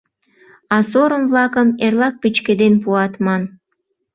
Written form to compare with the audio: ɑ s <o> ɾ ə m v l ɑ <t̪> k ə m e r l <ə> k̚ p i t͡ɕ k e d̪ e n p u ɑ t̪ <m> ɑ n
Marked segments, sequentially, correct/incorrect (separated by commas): correct, incorrect, incorrect, correct